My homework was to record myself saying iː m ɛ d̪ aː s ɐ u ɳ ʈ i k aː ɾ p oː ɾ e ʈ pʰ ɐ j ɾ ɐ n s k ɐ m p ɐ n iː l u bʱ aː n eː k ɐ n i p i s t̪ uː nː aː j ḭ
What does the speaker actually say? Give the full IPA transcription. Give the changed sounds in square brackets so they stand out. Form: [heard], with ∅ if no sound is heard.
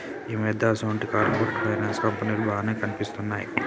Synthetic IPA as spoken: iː m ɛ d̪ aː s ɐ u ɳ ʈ i k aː ɾ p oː ɾ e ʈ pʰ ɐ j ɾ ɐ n s k ɐ m p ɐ n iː l u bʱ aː n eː k ɐ n i p i s t̪ [u] nː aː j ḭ